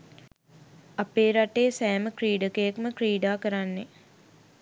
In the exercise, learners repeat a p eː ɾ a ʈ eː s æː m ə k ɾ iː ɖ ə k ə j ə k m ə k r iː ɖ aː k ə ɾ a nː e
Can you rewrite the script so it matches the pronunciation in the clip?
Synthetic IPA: a p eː ɾ a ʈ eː s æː m ə k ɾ iː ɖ ə k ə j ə k m ə k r iː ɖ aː k ə ɾ a nː e